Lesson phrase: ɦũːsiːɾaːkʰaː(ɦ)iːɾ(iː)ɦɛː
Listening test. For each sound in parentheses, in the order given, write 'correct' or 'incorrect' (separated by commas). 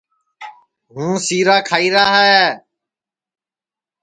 incorrect, incorrect